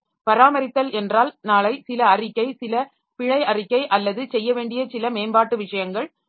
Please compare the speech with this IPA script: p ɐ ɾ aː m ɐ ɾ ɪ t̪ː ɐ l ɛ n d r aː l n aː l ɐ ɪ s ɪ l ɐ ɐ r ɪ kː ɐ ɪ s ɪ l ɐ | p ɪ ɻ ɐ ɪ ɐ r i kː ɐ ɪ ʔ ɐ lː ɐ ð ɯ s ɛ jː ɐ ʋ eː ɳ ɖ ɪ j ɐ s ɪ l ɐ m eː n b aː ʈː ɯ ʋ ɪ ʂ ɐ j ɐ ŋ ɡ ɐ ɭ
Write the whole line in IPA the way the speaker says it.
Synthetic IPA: p ɐ ɾ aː m ɐ ɾ ɪ t̪ː ɐ l ɛ n d r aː l n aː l ɐ ɪ s ɪ l ɐ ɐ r ɪ kː ɐ ɪ s ɪ l ɐ | p ɪ ɻ ɐ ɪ ɐ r ɪ kː ɐ ɪ ʔ ɐ lː ɐ ð ɯ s ɛ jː ɐ ʋ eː ɳ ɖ ɪ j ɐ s ɪ l ɐ m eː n b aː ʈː ɯ ʋ ɪ ʂ ɐ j ɐ ŋ ɡ ɐ ɭ

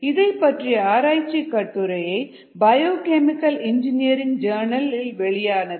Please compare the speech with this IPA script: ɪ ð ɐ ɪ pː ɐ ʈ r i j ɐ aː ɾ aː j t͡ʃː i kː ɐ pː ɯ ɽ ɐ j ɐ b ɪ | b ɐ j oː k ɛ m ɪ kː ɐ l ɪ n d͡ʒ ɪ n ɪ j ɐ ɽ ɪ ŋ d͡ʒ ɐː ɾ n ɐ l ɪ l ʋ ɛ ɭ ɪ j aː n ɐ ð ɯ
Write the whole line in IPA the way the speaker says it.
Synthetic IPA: ɪ ð ɐ ɪ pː ɐ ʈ r i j ɐ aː ɾ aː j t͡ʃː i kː ɐ ʈː ɯ ɾ ɐ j ɐ ɪ | b ɐ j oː k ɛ m ɪ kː ɐ l ɪ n d͡ʒ ɪ n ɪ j ɐ ɾ ɪ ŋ d͡ʒ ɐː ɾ n ɐ l ɪ l ʋ ɛ ɭ ɪ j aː n ɐ ð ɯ

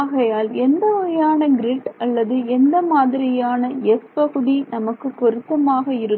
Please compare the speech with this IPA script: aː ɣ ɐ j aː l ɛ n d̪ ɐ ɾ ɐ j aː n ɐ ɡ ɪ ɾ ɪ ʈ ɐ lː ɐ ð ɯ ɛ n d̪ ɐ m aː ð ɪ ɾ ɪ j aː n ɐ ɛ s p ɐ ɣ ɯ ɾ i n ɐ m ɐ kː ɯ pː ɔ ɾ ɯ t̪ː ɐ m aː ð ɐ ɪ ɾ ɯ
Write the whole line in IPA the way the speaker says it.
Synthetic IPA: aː ɣ ɐ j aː l ɛ n d̪ ɐ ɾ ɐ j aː n ɐ ɡ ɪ ɾ ɪ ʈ ɐ lː ɐ ð ɯ ɛ n d̪ ɐ m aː ð ɪ ɾ ɪ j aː n ɐ ɛ s p ɐ ɣ ɯ ɽ i n ɐ m ɐ kː ɯ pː ɔ ɾ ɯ t̪ː ɐ m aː ɣ ɐ ɪ ɾ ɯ

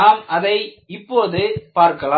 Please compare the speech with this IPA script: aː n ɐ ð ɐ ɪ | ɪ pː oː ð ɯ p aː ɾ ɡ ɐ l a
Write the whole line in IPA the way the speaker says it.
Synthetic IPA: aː m ɐ ð ɐ ɪ | ɪ pː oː ð ɯ p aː ɾ k ɐ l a

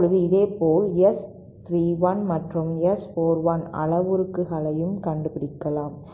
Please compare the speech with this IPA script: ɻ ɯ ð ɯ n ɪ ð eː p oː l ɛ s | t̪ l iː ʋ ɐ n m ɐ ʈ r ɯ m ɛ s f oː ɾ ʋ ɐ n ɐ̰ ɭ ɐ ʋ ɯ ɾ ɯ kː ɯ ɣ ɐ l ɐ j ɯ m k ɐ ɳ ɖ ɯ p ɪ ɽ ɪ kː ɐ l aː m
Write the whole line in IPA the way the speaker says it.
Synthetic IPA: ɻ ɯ ð ɯ ɪ ð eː p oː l ɛ s | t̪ ɾ iː ʋ ɐ n m ɐ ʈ r ɯ m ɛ s f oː ɾ ʋ ɐ n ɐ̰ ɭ ɐ ʋ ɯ ɾ ɯ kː ɯ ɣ ɐ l ɐ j ɯ m k ɐ ɳ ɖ ɯ p ɪ ɽ ɪ kː ɐ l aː m

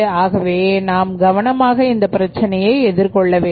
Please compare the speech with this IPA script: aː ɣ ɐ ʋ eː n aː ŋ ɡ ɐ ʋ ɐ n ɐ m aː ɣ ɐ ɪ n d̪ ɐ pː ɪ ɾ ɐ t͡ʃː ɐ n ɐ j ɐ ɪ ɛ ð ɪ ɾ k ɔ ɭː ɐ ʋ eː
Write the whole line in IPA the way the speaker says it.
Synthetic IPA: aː ɣ ɐ ʋ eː n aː m ɡ ɐ ʋ ɐ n ɐ m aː ɣ ɐ ɪ n d̪ ɐ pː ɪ ɾ ɐ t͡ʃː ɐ n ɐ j ɐ ɪ ɛ ð ɪ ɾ k ɔ ɭː ɐ ʋ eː

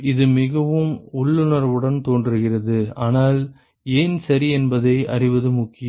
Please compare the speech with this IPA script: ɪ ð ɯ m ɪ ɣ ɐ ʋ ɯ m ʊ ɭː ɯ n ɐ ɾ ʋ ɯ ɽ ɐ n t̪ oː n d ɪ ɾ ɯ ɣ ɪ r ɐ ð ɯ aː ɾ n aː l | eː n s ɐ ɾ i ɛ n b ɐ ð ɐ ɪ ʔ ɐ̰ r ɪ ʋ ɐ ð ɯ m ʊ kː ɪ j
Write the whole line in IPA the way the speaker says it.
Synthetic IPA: ɪ ð ɯ m ɪ ɣ ɐ ʋ ɯ m ʊ ɭː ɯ n ɐ ɾ ʋ ɯ ɽ ɐ n t̪ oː n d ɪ ɾ ɯ ɣ ɪ r ɐ ð ɯ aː n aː l | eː n s ɐ ɾ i ɛ n b ɐ ð ɐ ɪ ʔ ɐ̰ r ɪ ʋ ɐ ð ɯ m ʊ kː ɪ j

